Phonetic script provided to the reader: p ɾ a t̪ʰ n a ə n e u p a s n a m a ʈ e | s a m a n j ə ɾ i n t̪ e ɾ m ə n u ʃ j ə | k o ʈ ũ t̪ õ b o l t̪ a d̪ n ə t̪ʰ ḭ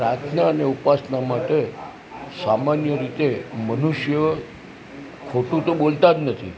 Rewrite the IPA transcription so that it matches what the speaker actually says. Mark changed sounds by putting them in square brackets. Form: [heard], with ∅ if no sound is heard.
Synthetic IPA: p ɾ a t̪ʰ n a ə n e u p a s n a m a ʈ e | s a m a n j ə ɾ i [∅] t̪ e [∅] m ə n u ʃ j ə | [kʰ] o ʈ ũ t̪ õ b o l t̪ a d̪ n ə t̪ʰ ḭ